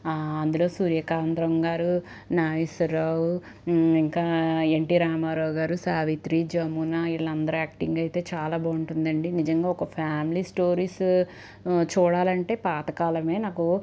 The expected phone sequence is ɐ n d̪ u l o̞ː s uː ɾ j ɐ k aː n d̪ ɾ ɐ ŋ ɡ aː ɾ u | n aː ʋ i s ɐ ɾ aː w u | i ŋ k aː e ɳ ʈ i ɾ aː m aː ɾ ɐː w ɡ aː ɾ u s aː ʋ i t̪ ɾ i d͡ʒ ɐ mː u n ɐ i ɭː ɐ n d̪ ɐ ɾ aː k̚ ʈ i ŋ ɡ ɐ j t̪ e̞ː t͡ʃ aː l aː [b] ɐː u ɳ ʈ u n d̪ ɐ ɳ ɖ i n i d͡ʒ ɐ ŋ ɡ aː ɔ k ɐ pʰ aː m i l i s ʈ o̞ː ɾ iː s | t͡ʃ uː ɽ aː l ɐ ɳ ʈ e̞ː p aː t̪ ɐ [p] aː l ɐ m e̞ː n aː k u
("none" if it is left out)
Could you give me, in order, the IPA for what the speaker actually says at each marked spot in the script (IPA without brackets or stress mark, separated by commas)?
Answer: b, k